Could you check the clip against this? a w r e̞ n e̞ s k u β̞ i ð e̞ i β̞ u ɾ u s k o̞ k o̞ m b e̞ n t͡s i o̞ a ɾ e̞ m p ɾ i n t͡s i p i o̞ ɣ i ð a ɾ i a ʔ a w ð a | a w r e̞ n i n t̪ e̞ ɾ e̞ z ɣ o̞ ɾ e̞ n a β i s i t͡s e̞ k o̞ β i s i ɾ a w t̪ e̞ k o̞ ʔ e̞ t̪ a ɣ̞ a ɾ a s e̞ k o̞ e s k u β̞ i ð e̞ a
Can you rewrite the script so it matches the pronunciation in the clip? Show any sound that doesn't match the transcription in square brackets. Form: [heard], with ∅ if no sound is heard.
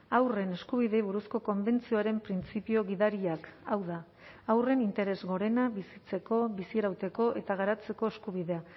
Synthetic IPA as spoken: a w r e̞ n e̞ s k u β̞ i ð e̞ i β̞ u ɾ u s k o̞ k o̞ m b e̞ n t͡s i o̞ a ɾ e̞ m p ɾ i n t͡s i p i o̞ ɣ i ð a ɾ i a [k] a w ð a | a w r e̞ n i n t̪ e̞ ɾ e̞ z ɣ o̞ ɾ e̞ n a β i s i t͡s e̞ k o̞ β i s i ɾ a w t̪ e̞ k o̞ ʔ e̞ t̪ a ɣ̞ a ɾ a [t͡s] e̞ k o̞ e s k u β̞ i ð e̞ a

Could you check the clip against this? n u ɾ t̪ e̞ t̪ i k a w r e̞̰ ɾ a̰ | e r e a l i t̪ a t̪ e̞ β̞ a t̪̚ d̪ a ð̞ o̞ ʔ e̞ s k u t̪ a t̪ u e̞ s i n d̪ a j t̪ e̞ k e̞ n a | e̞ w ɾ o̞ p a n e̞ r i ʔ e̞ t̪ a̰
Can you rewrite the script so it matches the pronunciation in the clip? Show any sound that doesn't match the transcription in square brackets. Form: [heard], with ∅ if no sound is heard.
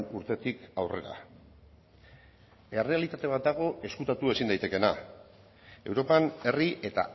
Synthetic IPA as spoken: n u ɾ t̪ e̞ t̪ i k a w r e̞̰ ɾ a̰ | e r e a l i t̪ a t̪ e̞ β̞ a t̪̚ d̪ a [ɣ̞] o̞ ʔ e̞ s k u t̪ a t̪ u e̞ s i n d̪ a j t̪ e̞ k e̞ n a | e̞ w ɾ o̞ p a n e̞ r i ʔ e̞ t̪ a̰

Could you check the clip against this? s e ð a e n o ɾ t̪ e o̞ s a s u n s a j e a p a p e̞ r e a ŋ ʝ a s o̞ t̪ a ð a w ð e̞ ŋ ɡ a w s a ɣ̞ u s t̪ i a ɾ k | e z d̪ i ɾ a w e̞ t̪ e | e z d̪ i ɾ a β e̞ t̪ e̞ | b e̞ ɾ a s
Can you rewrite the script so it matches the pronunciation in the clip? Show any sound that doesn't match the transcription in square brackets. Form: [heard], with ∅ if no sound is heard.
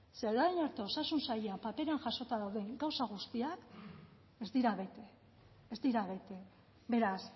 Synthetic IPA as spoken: s e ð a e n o ɾ t̪ e o̞ s a s u n s a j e a p a p e̞ [ɾ] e a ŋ ʝ a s o̞ t̪ a ð a w ð e̞ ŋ ɡ a w s a ɣ̞ u s t̪ i a [∅] k | e z d̪ i ɾ a [β] e̞ t̪ e | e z d̪ i ɾ a β e̞ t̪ e̞ | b e̞ ɾ a s

